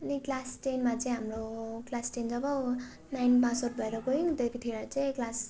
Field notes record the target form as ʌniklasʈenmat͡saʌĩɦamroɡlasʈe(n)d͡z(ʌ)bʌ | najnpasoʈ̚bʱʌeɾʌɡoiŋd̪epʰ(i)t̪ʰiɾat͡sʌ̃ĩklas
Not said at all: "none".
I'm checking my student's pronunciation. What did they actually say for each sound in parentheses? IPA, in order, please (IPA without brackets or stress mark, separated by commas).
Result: n, ʌ, i